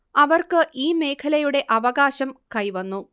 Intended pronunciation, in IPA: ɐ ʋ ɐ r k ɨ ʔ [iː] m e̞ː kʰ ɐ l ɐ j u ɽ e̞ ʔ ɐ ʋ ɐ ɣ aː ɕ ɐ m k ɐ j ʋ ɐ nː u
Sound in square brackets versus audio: correct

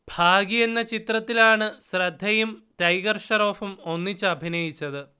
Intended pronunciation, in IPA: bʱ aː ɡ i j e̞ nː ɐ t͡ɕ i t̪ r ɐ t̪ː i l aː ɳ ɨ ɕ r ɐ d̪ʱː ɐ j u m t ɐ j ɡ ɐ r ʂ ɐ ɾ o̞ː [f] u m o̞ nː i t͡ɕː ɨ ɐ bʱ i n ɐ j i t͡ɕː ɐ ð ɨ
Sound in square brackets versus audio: correct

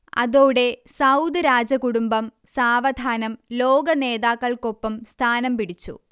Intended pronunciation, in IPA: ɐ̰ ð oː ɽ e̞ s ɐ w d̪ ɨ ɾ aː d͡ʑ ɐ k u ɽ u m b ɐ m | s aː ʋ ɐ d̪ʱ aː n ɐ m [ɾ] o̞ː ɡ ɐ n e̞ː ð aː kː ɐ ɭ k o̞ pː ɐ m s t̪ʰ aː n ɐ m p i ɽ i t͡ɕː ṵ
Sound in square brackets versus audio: incorrect: l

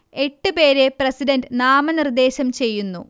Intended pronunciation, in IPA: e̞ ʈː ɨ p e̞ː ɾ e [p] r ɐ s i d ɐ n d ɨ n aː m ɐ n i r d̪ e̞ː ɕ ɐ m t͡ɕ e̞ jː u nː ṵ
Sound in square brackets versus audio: correct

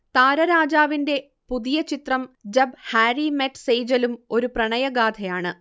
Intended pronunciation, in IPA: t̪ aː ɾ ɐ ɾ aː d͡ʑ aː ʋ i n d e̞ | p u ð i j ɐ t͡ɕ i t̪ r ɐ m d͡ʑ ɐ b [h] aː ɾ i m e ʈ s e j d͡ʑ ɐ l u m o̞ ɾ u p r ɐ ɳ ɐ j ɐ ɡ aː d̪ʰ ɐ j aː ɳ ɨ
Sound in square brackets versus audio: correct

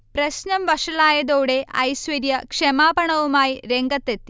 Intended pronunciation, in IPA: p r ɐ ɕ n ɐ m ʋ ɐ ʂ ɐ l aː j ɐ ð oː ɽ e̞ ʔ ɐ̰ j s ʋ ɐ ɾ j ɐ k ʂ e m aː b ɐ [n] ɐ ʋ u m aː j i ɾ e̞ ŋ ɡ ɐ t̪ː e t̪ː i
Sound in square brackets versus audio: incorrect: ɳ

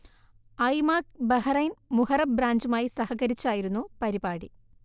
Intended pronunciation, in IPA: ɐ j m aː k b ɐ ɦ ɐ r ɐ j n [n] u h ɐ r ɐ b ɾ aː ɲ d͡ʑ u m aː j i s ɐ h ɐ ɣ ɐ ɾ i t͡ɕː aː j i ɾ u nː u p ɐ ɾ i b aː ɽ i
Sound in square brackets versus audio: incorrect: m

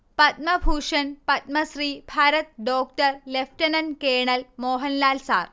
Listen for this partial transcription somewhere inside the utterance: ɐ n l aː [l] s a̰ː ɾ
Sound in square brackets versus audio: correct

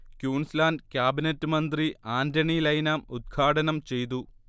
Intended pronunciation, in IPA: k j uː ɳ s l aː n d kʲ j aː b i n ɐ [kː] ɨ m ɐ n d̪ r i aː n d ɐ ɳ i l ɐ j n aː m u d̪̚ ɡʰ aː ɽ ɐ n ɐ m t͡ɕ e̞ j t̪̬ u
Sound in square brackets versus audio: incorrect: tː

